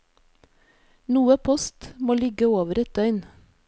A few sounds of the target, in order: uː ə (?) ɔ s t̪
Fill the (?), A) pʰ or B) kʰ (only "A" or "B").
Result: A